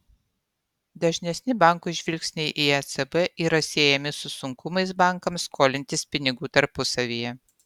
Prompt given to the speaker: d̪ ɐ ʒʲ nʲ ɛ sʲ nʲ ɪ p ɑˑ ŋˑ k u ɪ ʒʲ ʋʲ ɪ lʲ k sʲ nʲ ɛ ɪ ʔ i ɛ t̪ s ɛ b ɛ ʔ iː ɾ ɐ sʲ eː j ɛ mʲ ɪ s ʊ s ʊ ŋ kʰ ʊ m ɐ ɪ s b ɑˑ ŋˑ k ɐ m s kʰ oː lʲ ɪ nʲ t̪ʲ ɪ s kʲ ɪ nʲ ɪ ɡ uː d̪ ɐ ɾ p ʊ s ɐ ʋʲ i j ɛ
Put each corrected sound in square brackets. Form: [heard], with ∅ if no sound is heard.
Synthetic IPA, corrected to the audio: d̪ ɐ ʒʲ nʲ ɛ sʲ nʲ ɪ [b] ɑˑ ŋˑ k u ɪ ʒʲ ʋʲ ɪ lʲ k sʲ nʲ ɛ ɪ ʔ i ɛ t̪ s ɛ b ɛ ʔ iː ɾ ɐ sʲ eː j ɛ mʲ ɪ s ʊ s ʊ ŋ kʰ ʊ m ɐ ɪ s b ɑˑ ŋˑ k ɐ m s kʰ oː lʲ ɪ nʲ t̪ʲ ɪ s [pʲ] ɪ nʲ ɪ ɡ uː [t̪] ɐ ɾ p ʊ s ɐ ʋʲ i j ɛ